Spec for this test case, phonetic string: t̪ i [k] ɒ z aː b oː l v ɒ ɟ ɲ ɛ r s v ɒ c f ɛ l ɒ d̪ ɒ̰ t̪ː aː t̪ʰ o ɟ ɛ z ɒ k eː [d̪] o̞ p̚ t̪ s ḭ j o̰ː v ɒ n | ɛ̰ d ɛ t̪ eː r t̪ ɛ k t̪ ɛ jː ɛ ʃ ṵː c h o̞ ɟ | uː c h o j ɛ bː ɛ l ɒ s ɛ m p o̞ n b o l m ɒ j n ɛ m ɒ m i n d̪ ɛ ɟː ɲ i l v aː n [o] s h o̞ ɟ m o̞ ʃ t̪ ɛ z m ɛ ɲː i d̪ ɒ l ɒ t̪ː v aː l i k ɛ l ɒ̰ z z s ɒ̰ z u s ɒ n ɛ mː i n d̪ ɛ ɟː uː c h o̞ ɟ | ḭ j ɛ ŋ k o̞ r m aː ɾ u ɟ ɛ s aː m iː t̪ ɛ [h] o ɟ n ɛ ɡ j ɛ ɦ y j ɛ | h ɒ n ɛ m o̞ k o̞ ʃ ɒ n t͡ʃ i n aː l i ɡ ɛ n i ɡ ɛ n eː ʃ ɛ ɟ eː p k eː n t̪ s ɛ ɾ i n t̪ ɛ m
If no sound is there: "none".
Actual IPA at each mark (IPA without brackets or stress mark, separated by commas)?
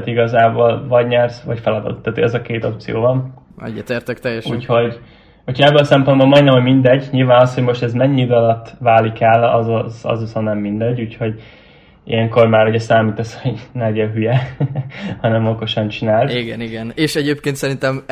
ɡ, t̪, ɒ, s